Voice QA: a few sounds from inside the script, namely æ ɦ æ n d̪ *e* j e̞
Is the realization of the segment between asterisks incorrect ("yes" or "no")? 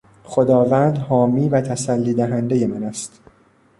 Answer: no